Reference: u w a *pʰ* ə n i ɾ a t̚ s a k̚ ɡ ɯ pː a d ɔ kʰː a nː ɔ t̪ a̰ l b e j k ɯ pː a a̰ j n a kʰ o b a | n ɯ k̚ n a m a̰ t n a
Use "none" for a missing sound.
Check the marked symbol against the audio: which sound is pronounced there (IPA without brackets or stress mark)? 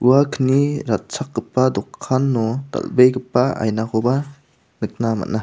kʰ